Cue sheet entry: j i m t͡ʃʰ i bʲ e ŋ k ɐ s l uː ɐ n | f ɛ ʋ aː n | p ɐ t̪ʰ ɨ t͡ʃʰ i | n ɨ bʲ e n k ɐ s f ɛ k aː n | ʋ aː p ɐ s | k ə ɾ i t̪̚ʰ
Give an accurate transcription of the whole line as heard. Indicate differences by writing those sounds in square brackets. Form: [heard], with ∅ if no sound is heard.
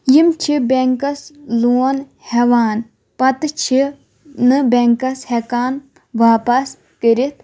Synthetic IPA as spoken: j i m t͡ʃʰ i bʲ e ŋ k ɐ s l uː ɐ n | [h] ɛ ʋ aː n | p ɐ [t̪] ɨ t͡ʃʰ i | n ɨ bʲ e [ŋ] k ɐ s [h] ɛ k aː n | ʋ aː p ɐ s | k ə ɾ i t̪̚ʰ